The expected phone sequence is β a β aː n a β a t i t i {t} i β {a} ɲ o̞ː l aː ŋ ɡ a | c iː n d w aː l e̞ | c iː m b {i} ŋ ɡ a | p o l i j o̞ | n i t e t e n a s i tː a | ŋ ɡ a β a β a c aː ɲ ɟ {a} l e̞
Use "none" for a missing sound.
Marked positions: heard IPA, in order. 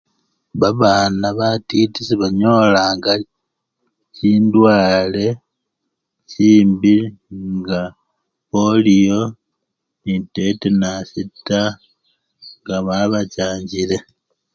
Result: s, a, i, i

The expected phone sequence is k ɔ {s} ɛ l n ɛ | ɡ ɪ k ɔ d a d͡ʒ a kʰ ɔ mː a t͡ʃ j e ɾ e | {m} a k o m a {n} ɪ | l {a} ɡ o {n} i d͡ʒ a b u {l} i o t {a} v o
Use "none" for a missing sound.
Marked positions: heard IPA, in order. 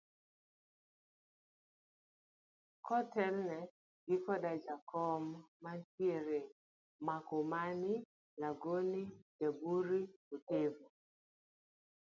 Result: t, m, n, a, n, ɾ, e

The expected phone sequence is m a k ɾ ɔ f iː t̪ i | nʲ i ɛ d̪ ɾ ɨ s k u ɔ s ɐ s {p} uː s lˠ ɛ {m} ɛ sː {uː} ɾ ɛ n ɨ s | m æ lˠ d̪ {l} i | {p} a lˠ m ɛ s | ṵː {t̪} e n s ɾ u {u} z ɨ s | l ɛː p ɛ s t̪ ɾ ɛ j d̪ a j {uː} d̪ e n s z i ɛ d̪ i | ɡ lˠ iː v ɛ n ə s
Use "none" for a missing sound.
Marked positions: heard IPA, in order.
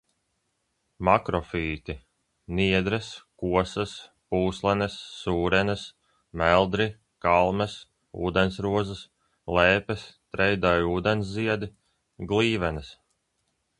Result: p, n, uː, ɾ, k, d̪, ɔ, uː

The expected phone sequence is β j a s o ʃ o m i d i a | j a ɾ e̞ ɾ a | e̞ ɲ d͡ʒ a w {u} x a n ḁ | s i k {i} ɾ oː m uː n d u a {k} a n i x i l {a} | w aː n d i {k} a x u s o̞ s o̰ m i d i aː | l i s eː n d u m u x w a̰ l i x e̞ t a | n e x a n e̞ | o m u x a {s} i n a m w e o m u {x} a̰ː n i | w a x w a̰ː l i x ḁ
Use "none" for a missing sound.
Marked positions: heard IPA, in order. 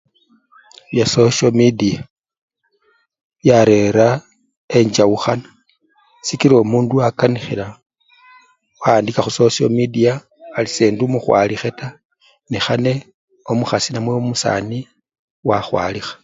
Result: u, i, k, a, k, s, s

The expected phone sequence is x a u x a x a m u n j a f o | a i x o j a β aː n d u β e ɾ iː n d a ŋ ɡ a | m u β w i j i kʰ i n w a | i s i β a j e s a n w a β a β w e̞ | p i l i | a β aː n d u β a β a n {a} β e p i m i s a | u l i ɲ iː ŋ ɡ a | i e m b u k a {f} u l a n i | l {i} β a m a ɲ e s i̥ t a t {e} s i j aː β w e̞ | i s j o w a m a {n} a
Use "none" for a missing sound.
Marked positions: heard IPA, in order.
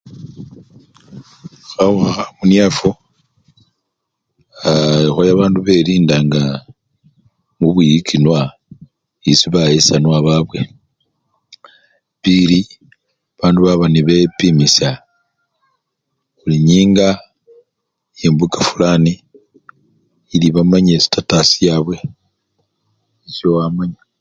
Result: i, f, i, a, ɲ

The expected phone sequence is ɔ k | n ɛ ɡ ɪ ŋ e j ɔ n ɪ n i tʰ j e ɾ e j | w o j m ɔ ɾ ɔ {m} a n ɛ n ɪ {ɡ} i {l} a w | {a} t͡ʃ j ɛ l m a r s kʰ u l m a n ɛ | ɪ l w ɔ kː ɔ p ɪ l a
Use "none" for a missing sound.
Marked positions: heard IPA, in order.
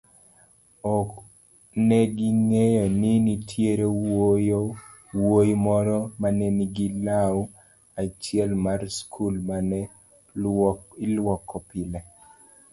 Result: m, ɡ, l, a

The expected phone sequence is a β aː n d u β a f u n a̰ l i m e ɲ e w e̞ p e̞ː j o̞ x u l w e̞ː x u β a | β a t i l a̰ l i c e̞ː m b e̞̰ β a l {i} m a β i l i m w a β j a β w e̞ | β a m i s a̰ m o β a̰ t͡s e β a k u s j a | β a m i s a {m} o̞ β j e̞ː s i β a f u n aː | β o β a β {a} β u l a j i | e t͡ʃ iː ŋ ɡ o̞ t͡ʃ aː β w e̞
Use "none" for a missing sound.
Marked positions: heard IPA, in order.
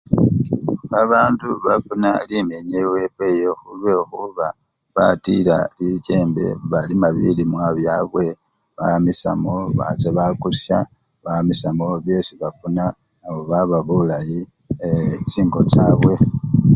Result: i, m, a

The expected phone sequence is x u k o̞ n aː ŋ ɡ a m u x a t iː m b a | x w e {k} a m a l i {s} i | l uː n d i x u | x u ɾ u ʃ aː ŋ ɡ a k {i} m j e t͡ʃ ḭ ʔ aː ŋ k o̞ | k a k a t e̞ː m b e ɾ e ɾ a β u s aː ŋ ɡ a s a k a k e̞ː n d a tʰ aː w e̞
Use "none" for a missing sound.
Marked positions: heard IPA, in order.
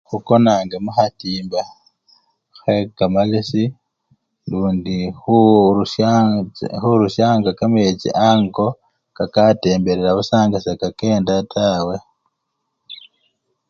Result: k, s, a

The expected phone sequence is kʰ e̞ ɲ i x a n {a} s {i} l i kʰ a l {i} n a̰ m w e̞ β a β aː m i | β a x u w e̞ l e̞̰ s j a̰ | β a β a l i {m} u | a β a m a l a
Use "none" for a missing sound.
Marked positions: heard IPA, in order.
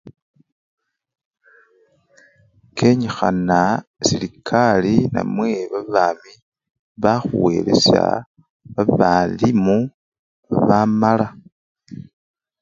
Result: a, i, i, m

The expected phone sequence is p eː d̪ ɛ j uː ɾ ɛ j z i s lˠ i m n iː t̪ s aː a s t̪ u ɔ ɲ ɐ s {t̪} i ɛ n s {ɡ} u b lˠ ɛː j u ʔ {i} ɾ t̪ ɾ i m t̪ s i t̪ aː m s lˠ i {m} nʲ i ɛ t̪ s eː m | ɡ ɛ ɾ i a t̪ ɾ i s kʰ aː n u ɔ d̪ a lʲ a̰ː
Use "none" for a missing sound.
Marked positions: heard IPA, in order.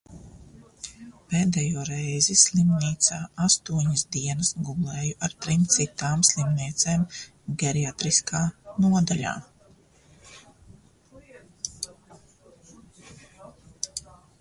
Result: d̪, ɡ, a, m

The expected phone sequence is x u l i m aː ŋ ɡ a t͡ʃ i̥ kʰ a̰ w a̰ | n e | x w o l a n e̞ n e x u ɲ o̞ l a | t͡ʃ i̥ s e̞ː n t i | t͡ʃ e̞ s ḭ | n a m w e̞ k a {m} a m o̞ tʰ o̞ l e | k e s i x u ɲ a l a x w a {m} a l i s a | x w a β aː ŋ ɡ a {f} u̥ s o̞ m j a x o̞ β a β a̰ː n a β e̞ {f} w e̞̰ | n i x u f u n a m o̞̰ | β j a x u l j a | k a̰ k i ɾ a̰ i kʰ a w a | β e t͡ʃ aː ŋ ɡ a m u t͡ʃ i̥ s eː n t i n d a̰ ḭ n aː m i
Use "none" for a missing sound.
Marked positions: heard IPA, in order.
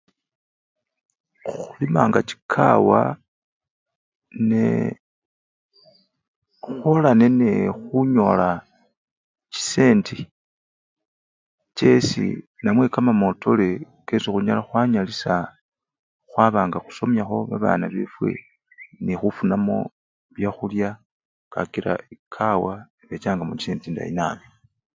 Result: m, ɲ, x, f

